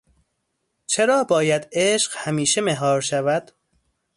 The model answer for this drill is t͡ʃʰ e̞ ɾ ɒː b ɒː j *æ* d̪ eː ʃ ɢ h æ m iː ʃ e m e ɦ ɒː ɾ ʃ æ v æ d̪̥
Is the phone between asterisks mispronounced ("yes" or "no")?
no